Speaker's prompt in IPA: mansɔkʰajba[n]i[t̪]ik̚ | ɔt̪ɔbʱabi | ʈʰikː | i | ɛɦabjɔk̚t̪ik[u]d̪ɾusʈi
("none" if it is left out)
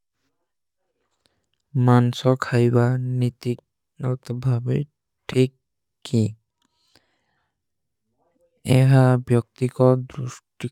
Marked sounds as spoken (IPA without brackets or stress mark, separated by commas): n, t̪, ɔ